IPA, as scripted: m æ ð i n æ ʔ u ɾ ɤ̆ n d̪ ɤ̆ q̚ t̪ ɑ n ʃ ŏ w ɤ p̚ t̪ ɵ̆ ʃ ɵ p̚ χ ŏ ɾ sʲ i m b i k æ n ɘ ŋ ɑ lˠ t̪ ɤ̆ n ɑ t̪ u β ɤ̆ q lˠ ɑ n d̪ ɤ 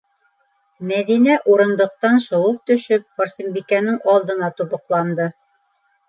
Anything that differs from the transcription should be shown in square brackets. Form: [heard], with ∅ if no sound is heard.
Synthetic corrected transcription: m æ ð i n æ ʔ u ɾ ɤ̆ n d̪ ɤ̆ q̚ t̪ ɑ n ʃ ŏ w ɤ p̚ t̪ ɵ̆ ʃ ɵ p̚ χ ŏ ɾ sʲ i m b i k æ n ɘ ŋ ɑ lˠ [d̪] ɤ̆ n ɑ t̪ u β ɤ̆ q lˠ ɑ n d̪ ɤ